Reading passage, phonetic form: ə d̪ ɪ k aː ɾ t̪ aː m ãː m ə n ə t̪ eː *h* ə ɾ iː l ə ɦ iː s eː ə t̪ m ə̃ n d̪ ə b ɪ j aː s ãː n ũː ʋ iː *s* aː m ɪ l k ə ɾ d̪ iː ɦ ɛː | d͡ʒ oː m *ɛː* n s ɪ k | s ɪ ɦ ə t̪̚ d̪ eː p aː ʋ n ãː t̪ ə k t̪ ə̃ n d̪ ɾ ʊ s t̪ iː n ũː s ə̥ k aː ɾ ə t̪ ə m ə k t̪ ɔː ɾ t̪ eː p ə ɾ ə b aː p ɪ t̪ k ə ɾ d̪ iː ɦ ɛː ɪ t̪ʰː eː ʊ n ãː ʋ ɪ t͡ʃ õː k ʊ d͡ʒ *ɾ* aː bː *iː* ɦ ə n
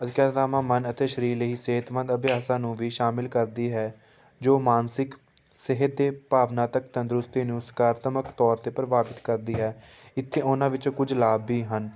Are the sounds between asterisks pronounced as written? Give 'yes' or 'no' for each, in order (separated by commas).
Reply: no, no, no, no, yes